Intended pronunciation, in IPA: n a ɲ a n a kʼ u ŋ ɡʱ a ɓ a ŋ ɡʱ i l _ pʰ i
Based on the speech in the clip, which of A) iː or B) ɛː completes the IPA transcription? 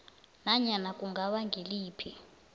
A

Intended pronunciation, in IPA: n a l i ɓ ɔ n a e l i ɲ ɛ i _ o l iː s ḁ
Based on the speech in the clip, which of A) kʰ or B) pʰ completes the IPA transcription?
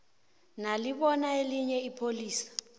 B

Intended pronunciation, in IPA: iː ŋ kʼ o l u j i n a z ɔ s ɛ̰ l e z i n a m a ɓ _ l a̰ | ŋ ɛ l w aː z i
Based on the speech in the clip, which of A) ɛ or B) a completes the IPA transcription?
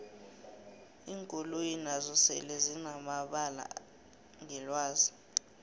B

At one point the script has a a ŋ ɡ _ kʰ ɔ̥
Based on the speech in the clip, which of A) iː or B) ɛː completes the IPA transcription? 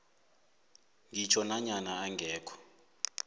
B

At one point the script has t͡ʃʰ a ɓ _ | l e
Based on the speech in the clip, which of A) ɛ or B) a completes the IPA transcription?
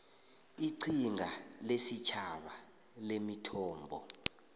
B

